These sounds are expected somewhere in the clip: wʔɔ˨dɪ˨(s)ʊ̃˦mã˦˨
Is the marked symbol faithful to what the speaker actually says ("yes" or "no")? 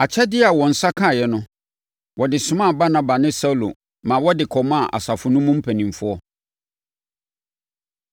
yes